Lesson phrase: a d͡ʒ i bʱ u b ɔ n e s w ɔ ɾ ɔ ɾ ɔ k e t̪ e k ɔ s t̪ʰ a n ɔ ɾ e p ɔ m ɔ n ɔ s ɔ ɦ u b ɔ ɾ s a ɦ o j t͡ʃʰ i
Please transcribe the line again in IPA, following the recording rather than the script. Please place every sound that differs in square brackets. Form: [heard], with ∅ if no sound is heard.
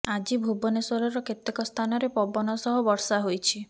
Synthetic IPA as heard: a d͡ʒ i bʱ u b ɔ n e s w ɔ ɾ ɔ ɾ ɔ k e t̪ e k ɔ s t̪ʰ a n ɔ ɾ e p ɔ [b] ɔ n ɔ s ɔ ɦ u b ɔ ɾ s a ɦ o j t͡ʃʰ i